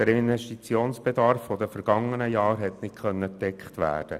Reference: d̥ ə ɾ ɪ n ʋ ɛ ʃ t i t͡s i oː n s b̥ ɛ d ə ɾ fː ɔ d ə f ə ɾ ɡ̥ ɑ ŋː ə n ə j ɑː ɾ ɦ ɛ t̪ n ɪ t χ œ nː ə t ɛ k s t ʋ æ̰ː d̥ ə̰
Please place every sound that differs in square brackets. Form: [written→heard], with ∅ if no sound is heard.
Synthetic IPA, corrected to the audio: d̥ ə ɾ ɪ n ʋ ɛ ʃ t i t͡s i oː n s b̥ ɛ d [ə→ɑ] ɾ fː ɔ d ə f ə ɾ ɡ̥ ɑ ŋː ə n ə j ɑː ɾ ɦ ɛ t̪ n ɪ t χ œ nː ə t ɛ k [s→χ] t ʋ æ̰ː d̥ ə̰